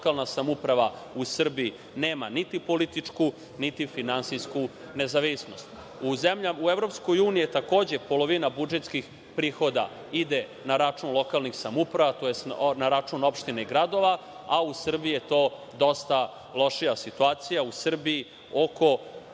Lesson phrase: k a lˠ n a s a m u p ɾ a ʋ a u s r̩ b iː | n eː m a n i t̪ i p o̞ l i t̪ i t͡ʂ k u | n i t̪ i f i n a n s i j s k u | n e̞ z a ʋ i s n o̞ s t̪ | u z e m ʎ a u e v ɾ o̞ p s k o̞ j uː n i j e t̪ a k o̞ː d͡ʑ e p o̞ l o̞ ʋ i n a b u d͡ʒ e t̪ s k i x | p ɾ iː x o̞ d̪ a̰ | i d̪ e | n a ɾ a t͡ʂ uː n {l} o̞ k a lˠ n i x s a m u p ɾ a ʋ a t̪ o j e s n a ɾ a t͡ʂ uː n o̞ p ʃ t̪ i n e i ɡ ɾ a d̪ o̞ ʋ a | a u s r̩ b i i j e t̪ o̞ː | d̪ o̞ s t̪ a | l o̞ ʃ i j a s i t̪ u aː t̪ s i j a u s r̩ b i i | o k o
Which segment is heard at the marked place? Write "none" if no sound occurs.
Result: l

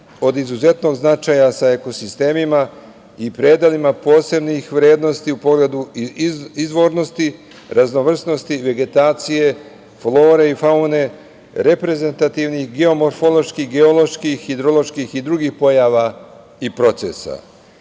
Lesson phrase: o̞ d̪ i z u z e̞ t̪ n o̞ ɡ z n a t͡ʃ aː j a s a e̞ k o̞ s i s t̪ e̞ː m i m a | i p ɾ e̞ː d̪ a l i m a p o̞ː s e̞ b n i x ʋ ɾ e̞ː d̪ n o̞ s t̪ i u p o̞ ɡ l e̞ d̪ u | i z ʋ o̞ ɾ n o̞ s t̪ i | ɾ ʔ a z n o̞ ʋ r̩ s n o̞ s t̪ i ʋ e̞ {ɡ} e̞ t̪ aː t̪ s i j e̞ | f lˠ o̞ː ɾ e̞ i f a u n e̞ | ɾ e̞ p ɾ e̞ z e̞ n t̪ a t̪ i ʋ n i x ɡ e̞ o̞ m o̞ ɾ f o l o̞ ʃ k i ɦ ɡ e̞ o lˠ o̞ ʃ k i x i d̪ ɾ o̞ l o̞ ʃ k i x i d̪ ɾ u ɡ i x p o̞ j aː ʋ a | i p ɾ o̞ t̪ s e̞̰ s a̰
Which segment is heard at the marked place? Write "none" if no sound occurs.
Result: ɡ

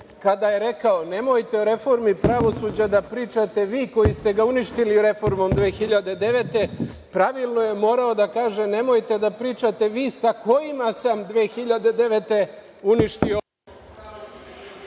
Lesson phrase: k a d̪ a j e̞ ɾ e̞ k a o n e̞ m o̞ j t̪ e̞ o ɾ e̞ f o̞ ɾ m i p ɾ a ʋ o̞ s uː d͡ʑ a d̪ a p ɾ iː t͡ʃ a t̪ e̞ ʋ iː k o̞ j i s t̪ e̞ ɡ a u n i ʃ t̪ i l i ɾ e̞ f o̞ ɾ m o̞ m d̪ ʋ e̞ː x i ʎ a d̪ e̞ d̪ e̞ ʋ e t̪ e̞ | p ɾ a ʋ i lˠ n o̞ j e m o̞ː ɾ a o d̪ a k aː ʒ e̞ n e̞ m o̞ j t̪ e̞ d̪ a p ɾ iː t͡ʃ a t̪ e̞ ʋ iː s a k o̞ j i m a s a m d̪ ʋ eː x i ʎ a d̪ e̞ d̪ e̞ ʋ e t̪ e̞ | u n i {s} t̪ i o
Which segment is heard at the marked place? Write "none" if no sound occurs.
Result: ʃ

